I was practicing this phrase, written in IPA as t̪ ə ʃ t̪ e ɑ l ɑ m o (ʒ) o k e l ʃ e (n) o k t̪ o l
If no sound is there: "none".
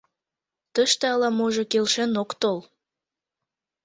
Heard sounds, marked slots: ʒ, n

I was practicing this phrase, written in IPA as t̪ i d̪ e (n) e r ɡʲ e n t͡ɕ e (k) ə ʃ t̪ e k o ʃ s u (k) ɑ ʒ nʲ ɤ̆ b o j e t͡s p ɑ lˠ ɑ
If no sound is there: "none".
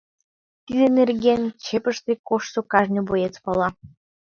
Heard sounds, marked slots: n, p, k

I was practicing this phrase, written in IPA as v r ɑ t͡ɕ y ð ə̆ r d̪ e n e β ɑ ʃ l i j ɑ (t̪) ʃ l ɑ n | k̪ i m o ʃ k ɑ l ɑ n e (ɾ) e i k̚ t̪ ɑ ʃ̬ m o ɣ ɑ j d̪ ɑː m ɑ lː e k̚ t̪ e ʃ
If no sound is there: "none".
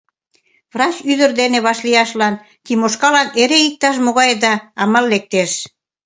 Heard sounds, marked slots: none, ɾ

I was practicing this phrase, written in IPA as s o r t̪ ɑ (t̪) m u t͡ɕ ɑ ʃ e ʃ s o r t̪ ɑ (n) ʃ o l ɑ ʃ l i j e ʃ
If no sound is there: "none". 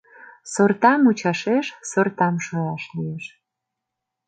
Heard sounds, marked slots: none, m

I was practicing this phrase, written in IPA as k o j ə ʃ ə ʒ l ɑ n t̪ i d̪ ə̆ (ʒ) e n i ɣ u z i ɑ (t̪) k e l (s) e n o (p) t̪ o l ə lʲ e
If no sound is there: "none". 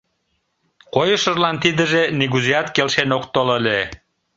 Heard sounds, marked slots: ʒ, t̪, ʃ, k

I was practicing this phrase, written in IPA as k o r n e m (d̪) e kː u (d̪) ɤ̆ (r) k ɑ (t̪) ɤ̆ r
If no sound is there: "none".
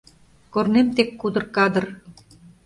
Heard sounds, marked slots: t̪, d̪, r, d̪

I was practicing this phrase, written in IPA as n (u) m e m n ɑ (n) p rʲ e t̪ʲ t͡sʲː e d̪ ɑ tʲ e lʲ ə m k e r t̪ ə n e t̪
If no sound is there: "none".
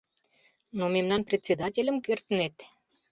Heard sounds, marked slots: o, n

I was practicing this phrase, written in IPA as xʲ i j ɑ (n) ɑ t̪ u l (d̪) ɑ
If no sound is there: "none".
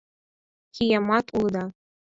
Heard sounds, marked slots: m, d̪

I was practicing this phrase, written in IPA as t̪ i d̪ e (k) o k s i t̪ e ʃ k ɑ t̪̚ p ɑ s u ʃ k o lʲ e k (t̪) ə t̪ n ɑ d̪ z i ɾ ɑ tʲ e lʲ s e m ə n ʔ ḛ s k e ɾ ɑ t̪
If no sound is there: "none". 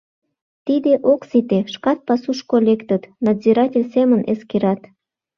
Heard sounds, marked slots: ʔ, t̪

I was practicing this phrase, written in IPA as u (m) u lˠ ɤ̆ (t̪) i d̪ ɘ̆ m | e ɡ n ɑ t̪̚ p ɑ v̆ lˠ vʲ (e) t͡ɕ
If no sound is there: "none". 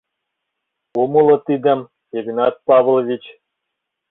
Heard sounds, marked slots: m, t̪, i

